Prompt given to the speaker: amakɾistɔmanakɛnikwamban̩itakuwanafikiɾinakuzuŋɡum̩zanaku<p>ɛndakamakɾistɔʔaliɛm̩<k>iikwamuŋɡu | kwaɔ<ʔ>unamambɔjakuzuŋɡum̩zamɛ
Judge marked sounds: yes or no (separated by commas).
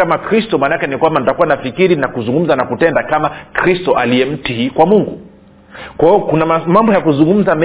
no, no, no